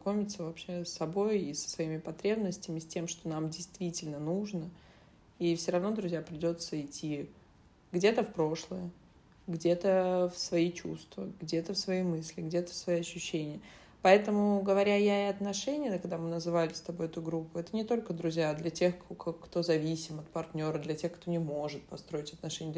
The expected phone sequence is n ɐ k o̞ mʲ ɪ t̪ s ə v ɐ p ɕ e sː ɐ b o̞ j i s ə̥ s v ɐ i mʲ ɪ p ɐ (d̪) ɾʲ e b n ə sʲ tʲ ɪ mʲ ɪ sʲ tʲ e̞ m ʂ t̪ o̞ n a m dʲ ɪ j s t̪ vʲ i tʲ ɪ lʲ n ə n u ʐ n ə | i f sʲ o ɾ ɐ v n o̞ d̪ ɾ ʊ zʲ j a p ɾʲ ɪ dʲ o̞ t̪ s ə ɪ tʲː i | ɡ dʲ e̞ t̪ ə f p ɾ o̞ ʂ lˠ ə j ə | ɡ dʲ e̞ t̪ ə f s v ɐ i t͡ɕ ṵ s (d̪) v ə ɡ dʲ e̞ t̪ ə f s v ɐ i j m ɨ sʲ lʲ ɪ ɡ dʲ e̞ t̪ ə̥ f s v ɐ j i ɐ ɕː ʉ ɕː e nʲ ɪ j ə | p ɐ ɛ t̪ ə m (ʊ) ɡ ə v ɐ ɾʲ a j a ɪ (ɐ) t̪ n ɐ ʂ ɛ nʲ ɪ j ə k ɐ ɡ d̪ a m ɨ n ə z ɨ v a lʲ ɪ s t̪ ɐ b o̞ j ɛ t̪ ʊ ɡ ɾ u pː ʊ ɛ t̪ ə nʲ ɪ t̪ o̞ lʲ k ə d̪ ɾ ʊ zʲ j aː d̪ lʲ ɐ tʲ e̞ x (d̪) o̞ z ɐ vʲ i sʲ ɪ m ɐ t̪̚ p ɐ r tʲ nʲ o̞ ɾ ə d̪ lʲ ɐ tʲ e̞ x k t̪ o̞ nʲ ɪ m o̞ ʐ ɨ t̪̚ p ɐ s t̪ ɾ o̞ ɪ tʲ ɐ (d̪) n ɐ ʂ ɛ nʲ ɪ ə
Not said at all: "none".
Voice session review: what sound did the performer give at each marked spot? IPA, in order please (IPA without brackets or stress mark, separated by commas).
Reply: t̪, t̪, ʊ, ɐ, t̪, t̪